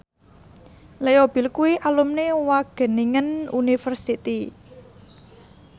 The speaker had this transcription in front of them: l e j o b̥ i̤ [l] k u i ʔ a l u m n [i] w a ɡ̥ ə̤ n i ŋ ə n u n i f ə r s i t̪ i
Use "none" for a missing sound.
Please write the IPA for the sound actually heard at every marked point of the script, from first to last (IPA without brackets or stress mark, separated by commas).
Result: l, e